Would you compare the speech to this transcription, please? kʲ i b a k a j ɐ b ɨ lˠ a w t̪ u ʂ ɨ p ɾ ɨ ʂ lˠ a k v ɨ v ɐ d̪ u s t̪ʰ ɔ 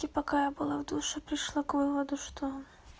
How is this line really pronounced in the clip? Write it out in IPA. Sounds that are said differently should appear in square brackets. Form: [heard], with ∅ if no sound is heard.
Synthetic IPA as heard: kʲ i [p] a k a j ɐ b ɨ lˠ a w [d̪] u ʂ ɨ p ɾ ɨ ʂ lˠ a k v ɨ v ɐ d̪ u [ʂ] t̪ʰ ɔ